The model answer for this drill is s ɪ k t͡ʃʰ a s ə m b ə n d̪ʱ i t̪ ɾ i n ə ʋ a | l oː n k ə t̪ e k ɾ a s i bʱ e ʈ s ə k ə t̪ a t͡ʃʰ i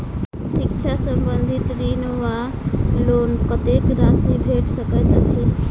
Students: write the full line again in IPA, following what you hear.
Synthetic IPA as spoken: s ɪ k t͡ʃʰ a s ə m b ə n d̪ʱ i t̪ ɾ i n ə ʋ a | l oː n k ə t̪ e k ɾ a s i bʱ e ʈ s ə k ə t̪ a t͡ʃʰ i